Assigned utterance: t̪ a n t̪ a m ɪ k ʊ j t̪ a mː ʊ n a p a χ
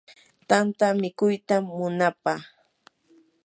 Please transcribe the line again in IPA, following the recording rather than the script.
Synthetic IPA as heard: t̪ a n t̪ a m ɪ k ʊ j t̪ a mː ʊ n a p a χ